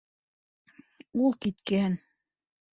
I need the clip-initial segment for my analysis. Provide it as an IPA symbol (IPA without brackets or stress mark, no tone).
u